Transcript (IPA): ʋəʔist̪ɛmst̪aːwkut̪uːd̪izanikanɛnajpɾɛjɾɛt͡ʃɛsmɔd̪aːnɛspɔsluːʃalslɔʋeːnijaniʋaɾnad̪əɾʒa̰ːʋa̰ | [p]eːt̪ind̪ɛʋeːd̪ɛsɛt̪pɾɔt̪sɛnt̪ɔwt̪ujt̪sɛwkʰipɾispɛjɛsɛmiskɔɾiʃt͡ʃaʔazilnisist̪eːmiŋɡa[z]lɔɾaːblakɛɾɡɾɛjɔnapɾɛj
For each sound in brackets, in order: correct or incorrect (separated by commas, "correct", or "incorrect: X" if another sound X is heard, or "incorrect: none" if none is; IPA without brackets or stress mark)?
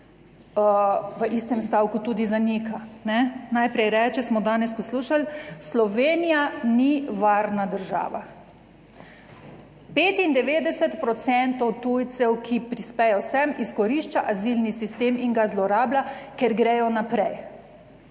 correct, correct